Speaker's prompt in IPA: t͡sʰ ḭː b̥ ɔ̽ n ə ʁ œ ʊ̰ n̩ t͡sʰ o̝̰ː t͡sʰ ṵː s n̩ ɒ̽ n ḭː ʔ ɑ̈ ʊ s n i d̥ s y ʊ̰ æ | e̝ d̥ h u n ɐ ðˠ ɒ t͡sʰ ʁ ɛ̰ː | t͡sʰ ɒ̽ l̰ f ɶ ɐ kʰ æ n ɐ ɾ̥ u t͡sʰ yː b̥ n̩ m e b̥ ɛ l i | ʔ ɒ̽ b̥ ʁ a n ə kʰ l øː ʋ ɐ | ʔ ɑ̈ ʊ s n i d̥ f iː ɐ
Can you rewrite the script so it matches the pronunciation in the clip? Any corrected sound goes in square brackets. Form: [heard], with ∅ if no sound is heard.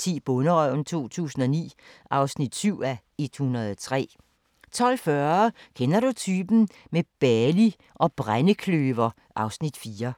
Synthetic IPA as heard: t͡sʰ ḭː b̥ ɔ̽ n ə ʁ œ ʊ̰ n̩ t͡sʰ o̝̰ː t͡sʰ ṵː s n̩ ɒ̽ n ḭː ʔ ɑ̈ ʊ s n i d̥ s y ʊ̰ æ | e̝ d̥ h u n ɐ ðˠ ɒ t͡sʰ ʁ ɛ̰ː | t͡sʰ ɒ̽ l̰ f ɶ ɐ kʰ [e] n ɐ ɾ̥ u t͡sʰ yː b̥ n̩ m e b̥ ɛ l i | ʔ ɒ̽ b̥ ʁ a n ə kʰ l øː ʋ ɐ | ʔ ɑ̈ ʊ s n i d̥ f iː ɐ